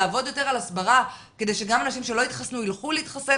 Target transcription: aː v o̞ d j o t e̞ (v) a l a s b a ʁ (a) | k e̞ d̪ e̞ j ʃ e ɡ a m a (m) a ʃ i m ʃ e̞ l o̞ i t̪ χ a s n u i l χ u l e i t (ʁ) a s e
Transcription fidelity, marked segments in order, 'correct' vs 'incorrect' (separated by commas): incorrect, correct, incorrect, incorrect